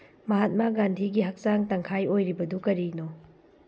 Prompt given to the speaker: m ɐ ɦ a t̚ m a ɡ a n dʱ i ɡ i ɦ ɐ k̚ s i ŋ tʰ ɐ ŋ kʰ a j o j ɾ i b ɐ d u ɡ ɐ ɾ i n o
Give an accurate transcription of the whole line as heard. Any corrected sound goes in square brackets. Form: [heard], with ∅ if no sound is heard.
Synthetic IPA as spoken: m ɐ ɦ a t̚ m a ɡ a n dʱ i ɡ i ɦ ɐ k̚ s [a] ŋ [t] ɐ ŋ kʰ a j o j ɾ i b ɐ d u [k] ɐ ɾ i n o